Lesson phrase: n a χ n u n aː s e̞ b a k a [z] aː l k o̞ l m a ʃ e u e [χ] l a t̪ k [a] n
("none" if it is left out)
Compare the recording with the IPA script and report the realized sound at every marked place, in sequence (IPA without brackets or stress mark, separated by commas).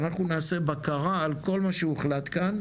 ʁ, χ, a